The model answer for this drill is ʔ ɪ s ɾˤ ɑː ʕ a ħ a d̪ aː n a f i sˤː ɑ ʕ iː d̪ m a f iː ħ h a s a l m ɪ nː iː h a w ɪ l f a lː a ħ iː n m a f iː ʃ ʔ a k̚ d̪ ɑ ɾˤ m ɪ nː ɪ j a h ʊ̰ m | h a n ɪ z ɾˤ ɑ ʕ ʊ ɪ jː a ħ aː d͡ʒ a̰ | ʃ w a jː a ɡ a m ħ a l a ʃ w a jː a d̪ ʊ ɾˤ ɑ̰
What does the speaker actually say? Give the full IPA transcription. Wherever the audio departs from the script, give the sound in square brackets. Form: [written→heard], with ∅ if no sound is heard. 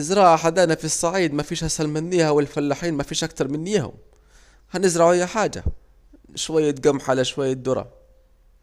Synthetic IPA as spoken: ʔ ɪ [s→z] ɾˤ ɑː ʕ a ħ a d̪ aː n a f i sˤː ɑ ʕ iː d̪ m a f iː [ħ→ʃ] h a s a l m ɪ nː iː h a w ɪ l f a lː a ħ iː n m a f iː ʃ ʔ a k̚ [d̪→t̪] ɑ ɾˤ m ɪ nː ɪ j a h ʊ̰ m | h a n ɪ z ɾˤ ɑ ʕ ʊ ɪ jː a ħ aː d͡ʒ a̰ | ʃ w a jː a ɡ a m ħ a l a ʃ w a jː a d̪ ʊ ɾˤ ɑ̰